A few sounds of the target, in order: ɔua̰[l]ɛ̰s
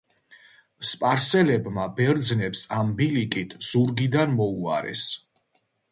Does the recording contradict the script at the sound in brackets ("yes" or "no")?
yes